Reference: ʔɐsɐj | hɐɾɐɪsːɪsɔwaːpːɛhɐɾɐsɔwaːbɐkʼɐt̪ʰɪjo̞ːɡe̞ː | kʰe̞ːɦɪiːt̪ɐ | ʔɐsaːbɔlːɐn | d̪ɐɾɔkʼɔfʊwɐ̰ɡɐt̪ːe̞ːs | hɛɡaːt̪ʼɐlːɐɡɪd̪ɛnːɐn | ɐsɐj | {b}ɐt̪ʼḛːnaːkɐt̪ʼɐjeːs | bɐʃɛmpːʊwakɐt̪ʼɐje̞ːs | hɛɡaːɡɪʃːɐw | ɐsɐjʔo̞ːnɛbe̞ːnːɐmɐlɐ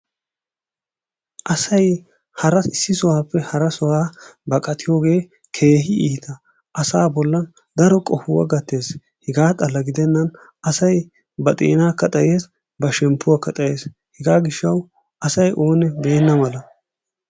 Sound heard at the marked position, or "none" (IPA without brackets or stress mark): b